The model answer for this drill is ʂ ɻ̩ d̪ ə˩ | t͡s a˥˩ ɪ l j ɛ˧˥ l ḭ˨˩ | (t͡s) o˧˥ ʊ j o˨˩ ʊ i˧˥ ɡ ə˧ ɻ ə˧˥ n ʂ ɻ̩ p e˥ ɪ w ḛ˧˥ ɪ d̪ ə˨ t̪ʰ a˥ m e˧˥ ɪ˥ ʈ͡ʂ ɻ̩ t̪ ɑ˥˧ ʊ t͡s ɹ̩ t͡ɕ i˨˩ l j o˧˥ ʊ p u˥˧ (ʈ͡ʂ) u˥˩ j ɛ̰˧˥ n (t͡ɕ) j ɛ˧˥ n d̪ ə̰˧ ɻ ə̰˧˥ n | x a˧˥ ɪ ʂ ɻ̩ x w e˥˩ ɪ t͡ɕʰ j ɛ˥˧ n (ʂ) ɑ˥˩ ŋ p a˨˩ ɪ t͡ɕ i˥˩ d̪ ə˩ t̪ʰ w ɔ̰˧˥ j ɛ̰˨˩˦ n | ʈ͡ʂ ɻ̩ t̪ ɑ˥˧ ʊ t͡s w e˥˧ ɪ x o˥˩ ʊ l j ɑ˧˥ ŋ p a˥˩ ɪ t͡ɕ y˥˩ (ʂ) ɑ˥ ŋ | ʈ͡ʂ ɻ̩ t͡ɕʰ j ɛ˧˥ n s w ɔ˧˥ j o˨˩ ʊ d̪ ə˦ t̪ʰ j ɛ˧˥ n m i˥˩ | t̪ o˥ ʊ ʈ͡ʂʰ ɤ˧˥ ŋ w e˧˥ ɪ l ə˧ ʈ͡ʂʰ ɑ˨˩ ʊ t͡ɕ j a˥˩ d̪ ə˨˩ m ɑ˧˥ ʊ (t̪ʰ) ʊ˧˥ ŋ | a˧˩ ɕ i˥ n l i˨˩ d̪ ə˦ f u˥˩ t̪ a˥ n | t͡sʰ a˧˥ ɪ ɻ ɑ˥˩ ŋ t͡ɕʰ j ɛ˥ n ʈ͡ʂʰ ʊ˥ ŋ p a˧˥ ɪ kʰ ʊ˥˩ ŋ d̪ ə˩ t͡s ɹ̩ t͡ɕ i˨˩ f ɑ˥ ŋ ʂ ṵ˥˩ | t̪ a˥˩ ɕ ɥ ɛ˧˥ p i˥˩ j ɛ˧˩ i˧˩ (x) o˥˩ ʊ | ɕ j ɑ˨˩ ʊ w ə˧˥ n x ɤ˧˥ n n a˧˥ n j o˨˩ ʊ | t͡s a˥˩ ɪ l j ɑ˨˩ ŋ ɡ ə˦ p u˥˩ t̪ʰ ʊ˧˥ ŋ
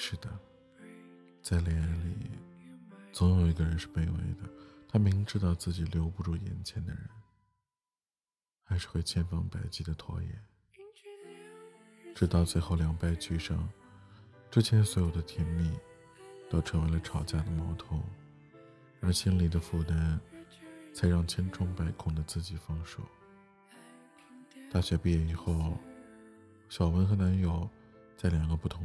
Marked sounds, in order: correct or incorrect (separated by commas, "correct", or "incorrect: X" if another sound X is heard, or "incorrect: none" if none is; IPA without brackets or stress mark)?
correct, correct, incorrect: t͡ɕʰ, incorrect: f, correct, correct, correct